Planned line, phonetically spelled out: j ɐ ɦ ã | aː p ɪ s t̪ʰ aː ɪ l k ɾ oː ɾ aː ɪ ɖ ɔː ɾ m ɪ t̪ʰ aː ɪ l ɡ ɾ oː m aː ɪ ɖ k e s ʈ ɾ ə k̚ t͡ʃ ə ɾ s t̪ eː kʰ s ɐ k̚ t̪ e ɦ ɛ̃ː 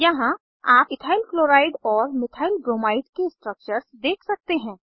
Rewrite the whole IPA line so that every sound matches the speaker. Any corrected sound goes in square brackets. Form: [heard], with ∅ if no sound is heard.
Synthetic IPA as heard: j ɐ ɦ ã | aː p ɪ [∅] t̪ʰ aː ɪ l k [l] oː ɾ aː ɪ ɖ ɔː ɾ m ɪ t̪ʰ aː ɪ l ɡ ɾ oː m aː ɪ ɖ k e s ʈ ɾ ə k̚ t͡ʃ ə ɾ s [d̪] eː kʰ s ɐ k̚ t̪ e ɦ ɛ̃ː